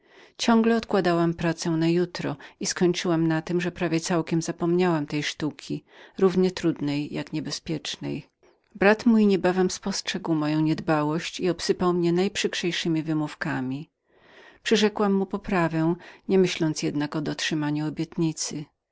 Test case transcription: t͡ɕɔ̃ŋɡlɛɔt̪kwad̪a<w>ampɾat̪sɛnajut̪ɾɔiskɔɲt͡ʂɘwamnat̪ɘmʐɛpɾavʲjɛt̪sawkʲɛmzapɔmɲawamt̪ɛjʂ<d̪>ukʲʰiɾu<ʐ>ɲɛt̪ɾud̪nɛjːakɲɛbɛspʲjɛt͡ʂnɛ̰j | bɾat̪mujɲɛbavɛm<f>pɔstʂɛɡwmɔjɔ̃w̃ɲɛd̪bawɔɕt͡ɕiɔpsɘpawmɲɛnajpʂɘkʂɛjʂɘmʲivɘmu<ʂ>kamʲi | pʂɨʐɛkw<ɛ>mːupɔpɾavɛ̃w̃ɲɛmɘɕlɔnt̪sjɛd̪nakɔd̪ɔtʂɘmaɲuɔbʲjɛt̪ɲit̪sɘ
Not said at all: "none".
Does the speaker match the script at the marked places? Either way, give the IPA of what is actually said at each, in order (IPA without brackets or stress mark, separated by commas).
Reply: w, t̪, v, s, f, a